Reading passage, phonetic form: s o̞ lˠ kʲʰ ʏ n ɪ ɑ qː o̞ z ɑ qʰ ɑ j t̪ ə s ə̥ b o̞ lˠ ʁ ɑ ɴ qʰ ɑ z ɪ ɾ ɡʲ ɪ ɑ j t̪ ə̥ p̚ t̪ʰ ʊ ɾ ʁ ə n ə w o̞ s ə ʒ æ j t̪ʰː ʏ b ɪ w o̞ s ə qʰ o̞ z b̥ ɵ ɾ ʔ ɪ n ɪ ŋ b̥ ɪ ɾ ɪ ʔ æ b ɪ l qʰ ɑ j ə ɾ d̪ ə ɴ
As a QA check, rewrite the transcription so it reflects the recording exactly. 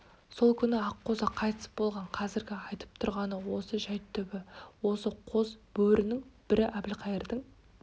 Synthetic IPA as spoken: s o̞ lˠ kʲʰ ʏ n ɪ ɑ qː o̞ z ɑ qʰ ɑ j t̪ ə s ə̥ b o̞ lˠ ʁ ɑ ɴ qʰ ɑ z ɪ ɾ ɡʲ ɪ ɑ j t̪ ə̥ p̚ t̪ʰ ʊ ɾ ʁ ɑ n ə w o̞ s ə ʒ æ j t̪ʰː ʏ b ɪ w o̞ s ə qʰ o̞ z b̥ ɵ ɾ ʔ ɪ n ɪ ŋ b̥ ɪ ɾ ɪ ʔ æ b ɪ l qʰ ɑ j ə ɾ d̪ ə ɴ